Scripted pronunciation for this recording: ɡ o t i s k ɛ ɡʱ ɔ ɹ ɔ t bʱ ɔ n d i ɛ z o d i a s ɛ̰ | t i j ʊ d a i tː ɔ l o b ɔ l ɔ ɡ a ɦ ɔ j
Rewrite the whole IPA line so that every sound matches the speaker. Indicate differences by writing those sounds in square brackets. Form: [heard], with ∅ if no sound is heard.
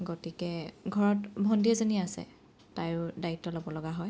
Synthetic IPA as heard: ɡ o t i [∅] k ɛ ɡʱ ɔ ɹ ɔ t bʱ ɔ n d i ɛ z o [n] i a s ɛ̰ | t [a] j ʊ d a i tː ɔ l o b ɔ l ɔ ɡ a ɦ ɔ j